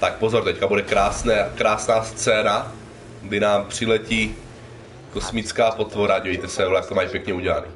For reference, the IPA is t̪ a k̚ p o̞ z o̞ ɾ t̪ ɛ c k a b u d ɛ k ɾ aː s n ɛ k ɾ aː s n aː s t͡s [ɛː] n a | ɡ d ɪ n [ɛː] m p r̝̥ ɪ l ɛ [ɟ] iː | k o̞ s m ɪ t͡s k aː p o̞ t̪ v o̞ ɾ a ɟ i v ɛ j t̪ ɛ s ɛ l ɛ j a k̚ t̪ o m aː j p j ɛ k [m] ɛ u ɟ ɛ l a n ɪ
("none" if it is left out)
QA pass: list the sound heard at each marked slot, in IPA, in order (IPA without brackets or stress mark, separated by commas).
ɛː, aː, c, ɲ